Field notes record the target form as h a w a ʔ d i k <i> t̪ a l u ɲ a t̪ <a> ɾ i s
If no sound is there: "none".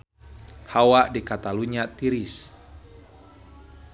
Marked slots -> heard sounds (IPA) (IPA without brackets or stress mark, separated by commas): a, i